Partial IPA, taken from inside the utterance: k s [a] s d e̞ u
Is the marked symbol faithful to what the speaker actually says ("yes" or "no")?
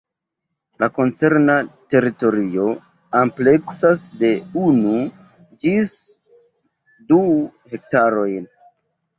yes